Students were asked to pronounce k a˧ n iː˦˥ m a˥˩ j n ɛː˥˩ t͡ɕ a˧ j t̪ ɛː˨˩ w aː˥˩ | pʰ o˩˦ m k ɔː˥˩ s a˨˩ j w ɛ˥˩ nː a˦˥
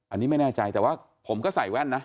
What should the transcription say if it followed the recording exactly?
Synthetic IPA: ʔ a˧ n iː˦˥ m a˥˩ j n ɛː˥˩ t͡ɕ a˧ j t̪ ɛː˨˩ w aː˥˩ | pʰ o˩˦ m k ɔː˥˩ s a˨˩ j w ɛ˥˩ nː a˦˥